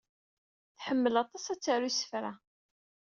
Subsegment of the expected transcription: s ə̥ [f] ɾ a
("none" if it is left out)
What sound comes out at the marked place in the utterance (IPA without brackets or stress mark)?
f